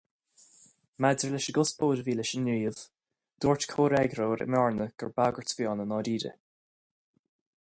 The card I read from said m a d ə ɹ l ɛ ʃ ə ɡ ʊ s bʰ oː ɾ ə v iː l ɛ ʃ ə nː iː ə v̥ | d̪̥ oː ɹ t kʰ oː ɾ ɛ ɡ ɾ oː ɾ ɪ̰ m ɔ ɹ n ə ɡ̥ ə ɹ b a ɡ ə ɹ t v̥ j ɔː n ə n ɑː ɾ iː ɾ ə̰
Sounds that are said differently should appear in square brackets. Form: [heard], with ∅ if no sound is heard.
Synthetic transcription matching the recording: m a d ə ɹ l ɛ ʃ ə ɡ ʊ s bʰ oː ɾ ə v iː l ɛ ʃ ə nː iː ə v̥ | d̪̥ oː ɹ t kʰ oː ɾ ɛ ɡ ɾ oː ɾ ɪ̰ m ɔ ɹ n ə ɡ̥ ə ɹ b a ɡ ə ɹ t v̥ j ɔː n ə n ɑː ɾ iː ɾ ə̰